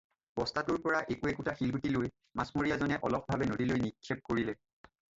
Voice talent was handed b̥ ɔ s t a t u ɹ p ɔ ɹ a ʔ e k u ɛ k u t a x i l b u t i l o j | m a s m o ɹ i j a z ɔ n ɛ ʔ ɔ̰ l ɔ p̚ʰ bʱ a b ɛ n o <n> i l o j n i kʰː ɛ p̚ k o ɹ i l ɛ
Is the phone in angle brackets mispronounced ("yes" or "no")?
yes